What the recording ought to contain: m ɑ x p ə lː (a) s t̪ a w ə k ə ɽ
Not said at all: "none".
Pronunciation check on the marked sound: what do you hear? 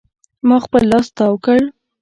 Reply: ɑ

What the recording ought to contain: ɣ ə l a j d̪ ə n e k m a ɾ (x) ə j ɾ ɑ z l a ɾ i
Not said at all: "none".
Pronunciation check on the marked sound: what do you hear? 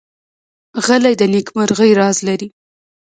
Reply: ɣ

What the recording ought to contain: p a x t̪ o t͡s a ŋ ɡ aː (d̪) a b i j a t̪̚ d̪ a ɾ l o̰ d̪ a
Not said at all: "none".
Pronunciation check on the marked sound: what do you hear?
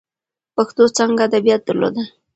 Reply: d̪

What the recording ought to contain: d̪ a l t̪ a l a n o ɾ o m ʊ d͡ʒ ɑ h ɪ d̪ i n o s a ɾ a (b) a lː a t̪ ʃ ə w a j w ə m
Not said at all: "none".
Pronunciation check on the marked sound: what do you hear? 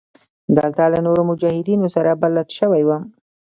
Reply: b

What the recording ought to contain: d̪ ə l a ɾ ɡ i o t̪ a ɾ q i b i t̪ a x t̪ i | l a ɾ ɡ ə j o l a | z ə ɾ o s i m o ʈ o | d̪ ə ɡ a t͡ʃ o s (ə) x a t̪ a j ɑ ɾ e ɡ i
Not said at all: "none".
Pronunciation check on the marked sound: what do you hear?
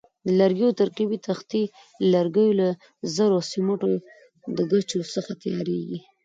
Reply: ə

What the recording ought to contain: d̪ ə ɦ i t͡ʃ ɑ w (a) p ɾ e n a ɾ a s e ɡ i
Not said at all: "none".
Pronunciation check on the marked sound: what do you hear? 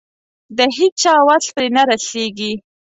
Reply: a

